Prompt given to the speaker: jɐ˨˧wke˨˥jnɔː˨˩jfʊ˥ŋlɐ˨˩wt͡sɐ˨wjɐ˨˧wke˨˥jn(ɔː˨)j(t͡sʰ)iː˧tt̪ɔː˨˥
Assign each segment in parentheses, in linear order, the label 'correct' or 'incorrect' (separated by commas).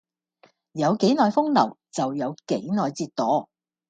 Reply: correct, incorrect